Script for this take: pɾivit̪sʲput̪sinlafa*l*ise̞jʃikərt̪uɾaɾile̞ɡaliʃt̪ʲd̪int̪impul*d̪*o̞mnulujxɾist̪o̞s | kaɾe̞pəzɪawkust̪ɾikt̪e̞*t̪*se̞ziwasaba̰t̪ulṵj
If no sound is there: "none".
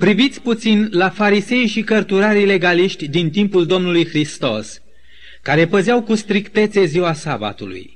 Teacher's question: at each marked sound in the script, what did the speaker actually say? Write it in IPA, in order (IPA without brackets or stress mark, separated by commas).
ɾ, d̪, t̪